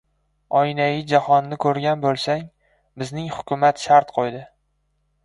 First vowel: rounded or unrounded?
rounded